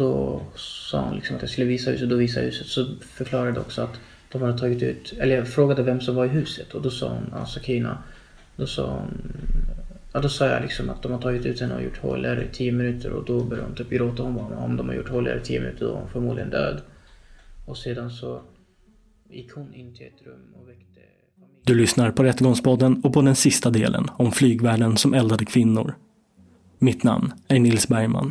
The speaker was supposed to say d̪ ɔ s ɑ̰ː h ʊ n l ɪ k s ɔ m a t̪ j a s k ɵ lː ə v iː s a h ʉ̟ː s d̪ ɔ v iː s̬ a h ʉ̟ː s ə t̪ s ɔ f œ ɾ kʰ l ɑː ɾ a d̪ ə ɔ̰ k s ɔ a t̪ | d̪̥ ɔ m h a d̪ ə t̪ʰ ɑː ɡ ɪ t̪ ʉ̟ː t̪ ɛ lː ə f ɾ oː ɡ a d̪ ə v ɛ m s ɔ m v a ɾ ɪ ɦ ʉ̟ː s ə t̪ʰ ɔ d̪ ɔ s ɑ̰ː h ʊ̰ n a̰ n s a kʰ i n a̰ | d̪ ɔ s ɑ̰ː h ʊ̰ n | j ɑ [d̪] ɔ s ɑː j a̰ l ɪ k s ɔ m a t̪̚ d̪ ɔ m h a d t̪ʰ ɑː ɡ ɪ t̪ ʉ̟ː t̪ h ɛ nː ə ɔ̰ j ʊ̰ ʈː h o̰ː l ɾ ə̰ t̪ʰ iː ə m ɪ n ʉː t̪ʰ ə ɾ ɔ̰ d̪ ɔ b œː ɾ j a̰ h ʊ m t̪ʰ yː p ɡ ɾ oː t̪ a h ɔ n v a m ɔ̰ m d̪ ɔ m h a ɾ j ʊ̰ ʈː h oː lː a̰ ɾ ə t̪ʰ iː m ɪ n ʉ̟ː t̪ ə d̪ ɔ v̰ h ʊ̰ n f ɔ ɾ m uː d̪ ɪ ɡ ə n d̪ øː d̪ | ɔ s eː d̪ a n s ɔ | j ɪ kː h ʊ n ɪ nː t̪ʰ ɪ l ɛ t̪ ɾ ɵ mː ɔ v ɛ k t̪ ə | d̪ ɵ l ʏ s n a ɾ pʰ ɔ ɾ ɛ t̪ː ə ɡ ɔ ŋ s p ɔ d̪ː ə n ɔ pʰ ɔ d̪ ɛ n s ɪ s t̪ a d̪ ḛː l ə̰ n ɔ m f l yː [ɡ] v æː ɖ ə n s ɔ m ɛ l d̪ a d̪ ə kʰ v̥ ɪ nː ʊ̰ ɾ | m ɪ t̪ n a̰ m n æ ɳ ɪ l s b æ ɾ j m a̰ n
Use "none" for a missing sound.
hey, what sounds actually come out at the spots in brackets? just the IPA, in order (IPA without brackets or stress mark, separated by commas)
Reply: d̪, ɡ